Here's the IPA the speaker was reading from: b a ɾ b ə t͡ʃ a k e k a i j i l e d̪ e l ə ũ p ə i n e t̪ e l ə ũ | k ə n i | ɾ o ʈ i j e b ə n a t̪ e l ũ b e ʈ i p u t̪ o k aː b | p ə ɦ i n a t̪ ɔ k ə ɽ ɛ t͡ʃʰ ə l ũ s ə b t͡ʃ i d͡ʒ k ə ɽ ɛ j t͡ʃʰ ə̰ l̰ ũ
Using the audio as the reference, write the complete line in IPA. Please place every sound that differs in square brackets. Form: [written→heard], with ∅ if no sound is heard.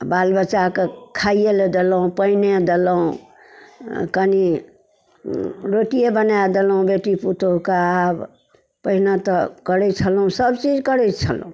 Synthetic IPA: b a [ɾ→l] b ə t͡ʃ a k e [k→kʰ] a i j [i→e] l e d̪ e l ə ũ p ə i n e [t̪→d̪] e l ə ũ | k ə n i | ɾ o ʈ i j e b ə n a [t̪→d̪] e l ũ b e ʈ i p u t̪ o k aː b | p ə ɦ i n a t̪ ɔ k ə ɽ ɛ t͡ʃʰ ə l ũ s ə b t͡ʃ i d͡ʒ k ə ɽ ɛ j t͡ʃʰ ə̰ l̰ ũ

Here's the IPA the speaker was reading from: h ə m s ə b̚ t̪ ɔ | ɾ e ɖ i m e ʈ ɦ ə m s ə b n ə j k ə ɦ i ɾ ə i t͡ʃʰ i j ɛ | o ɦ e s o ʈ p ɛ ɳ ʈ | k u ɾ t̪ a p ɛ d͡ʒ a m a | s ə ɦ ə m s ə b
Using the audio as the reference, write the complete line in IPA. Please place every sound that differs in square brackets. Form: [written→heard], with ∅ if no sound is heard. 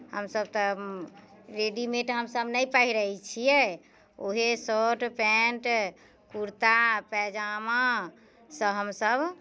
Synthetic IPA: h ə m s ə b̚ t̪ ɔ | ɾ e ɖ i m e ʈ ɦ ə m s ə b n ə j [k→p] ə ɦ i ɾ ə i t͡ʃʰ i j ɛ | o ɦ e s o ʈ p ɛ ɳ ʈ | k u ɾ t̪ a p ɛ d͡ʒ a m a | s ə ɦ ə m s ə b

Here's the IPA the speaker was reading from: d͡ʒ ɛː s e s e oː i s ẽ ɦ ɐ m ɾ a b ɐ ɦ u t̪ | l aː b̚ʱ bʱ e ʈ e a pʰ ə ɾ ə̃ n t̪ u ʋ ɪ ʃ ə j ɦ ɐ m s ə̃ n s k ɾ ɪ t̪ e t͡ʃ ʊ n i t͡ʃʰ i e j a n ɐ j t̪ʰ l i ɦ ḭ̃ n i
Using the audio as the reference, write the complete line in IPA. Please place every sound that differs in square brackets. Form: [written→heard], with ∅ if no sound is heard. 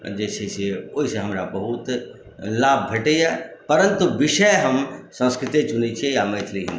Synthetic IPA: d͡ʒ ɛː s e s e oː i s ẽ ɦ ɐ m ɾ a b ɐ ɦ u t̪ | l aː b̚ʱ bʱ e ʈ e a [pʰ→p] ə ɾ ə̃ n t̪ u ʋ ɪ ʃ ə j ɦ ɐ m s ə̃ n s k ɾ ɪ t̪ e t͡ʃ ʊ n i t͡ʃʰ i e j a [n→m] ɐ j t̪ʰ l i ɦ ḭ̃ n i

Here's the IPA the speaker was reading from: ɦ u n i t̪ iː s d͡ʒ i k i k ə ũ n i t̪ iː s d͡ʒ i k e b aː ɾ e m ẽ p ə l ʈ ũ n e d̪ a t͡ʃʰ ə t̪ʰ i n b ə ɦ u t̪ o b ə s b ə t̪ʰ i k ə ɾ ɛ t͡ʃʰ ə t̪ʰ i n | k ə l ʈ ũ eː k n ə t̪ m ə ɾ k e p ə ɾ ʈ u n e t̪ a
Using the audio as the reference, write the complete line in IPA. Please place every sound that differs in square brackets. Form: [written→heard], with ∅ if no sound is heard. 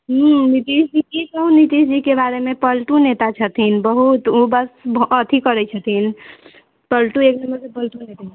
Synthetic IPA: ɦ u n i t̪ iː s d͡ʒ i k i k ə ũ n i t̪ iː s d͡ʒ i k e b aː ɾ e m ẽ p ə l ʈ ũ n e [d̪→t̪] a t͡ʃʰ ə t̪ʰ i n b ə ɦ u t̪ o b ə s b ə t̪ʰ i k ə ɾ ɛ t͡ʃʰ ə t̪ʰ i n | [k→p] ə l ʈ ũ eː k n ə [t̪→∅] m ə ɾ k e p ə [ɾ→l] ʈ u n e t̪ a

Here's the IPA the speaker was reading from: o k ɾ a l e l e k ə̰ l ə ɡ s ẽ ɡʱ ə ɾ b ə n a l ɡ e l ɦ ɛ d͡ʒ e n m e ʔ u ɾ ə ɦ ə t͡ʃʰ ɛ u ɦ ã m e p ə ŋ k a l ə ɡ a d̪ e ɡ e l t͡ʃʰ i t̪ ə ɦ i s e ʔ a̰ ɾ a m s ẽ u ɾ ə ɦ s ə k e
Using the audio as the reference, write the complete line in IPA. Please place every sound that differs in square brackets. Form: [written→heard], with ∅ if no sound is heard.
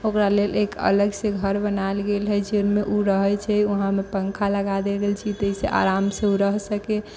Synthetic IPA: o k ɾ a l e l e k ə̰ l ə ɡ s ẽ ɡʱ ə ɾ b ə n a l ɡ e l ɦ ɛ d͡ʒ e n m e ʔ u ɾ ə ɦ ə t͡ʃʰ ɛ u ɦ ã m e p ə ŋ [k→kʰ] a l ə ɡ a d̪ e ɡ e l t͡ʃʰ i t̪ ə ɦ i s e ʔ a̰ ɾ a m s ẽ u ɾ ə ɦ s ə k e

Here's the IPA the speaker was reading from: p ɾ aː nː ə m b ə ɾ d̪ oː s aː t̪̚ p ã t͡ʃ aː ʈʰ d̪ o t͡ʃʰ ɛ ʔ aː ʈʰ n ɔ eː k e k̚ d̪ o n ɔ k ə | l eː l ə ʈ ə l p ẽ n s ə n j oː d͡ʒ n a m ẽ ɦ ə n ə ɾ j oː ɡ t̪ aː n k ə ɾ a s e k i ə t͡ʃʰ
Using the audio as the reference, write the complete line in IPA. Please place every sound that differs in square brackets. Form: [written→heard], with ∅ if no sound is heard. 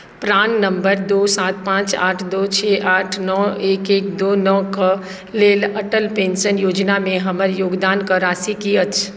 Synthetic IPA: p ɾ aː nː ə m b ə ɾ d̪ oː s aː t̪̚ p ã t͡ʃ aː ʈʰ d̪ o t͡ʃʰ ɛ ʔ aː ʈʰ n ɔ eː k e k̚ d̪ o n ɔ k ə | l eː l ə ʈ ə l p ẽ n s ə n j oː d͡ʒ n a m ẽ ɦ ə [n→m] ə ɾ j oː ɡ [t̪→d̪] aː n k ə ɾ a s [e→i] k i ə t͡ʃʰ

